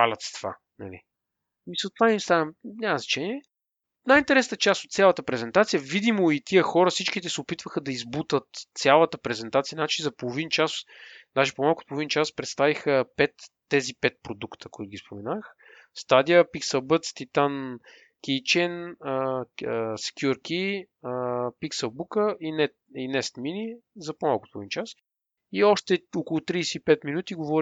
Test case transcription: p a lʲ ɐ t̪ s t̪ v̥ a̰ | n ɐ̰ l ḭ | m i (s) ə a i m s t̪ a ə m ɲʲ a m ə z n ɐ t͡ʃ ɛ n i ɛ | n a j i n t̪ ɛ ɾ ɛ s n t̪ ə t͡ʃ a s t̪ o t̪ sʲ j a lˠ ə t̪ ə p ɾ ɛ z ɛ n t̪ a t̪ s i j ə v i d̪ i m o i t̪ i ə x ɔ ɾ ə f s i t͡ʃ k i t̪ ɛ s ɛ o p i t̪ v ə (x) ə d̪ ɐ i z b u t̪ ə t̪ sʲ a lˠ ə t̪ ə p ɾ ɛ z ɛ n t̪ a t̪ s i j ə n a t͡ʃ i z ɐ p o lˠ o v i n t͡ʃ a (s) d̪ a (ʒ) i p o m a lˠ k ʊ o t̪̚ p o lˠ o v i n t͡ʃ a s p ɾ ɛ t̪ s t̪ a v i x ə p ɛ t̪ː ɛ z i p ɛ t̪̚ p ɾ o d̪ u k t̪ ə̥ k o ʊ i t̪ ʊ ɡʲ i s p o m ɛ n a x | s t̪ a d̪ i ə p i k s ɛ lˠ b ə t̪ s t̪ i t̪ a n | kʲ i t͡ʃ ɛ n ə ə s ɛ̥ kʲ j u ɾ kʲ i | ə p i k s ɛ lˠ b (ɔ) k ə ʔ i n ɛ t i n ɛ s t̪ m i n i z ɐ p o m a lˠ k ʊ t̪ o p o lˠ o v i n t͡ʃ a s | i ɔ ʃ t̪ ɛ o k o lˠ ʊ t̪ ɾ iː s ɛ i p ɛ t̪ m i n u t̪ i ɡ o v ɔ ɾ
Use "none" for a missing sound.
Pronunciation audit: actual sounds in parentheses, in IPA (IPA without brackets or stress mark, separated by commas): s, x, s, ʒ, u